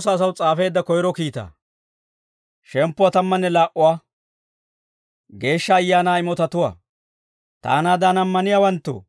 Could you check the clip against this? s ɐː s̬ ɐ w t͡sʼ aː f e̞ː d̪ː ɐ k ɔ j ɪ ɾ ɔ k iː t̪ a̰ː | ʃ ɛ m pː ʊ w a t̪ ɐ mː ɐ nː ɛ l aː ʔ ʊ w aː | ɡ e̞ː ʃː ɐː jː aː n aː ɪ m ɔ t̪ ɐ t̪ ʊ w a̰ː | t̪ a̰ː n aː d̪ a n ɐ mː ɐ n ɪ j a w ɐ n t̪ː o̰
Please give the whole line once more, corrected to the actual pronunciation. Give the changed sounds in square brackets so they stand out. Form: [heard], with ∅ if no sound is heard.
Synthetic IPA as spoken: s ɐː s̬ ɐ w t͡sʼ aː f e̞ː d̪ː ɐ k ɔ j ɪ ɾ ɔ k iː t̪ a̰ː | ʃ ɛ m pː ʊ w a t̪ ɐ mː ɐ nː ɛ l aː ʔ ʊ w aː | ɡ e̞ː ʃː ɐː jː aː n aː ɪ m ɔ t̪ ɐ t̪ ʊ w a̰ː | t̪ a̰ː n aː d̪ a n ɐ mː ɐ n ɪ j a w ɐ n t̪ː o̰